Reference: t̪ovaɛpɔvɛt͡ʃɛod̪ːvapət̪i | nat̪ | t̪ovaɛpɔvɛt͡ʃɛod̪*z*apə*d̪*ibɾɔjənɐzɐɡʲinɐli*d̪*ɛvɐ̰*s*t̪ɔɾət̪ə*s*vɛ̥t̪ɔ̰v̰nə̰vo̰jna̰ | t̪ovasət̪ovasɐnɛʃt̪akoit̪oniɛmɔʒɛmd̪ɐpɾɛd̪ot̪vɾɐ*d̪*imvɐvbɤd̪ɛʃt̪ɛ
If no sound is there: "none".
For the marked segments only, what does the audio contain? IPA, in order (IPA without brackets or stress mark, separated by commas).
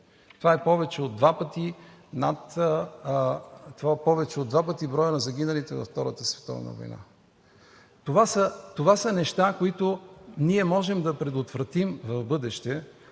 v, t̪, t̪, f, s, t̪